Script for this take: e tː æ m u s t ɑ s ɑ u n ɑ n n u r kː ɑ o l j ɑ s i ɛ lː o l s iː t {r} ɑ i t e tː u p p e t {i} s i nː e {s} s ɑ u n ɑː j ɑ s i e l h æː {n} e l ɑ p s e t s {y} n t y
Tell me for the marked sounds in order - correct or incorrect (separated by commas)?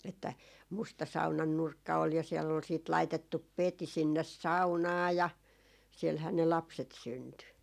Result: incorrect, correct, correct, correct, correct